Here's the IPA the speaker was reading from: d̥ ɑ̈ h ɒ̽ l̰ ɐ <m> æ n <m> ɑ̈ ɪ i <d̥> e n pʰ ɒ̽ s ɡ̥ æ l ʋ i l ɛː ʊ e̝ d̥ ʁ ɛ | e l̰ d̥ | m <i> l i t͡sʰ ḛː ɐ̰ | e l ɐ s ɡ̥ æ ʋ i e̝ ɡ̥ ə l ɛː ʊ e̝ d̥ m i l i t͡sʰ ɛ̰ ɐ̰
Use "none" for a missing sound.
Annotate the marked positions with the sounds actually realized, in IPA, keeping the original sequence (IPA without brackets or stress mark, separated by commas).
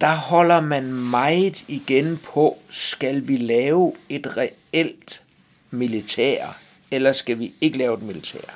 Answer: m, m, ɡ̥, i